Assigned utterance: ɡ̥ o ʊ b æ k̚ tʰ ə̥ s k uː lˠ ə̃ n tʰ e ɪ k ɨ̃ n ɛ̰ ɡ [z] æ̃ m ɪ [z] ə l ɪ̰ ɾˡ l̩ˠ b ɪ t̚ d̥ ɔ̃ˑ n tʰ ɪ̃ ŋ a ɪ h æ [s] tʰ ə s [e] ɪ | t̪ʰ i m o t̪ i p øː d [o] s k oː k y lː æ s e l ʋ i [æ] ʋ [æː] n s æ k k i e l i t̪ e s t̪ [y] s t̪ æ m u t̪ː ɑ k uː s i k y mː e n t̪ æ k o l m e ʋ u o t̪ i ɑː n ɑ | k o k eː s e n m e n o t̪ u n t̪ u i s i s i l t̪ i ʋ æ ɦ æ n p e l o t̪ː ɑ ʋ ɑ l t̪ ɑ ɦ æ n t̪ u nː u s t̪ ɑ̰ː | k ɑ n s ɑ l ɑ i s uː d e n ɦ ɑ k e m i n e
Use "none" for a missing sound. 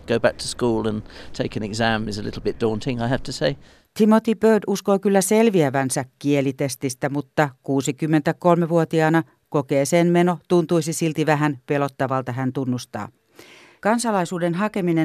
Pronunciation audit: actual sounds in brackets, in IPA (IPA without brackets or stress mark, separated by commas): z, z, f, e, u, æ, æ, i